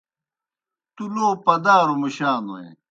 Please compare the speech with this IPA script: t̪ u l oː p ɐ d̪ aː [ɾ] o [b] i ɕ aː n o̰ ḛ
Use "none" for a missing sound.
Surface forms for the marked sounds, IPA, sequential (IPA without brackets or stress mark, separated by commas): ɾ, m